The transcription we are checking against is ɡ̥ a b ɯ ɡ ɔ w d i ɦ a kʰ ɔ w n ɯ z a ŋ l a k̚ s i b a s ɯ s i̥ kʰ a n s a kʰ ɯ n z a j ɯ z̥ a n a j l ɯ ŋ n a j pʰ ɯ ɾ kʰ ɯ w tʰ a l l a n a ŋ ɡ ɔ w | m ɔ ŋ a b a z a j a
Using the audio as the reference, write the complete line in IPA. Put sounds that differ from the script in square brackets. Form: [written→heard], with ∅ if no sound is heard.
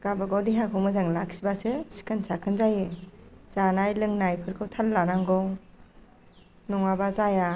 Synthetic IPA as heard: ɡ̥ a b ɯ ɡ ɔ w d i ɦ a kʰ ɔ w [n→m] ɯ z a ŋ l a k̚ s i b a s ɯ s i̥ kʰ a n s a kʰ ɯ n z a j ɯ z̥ a n a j l ɯ ŋ n a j pʰ ɯ ɾ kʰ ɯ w tʰ a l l a n a ŋ ɡ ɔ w | [m→n] ɔ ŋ a b a z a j a